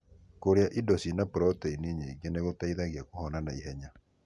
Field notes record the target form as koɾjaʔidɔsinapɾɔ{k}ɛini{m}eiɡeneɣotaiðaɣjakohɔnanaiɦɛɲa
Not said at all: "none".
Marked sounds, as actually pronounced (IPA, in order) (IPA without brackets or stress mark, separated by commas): t, ɲ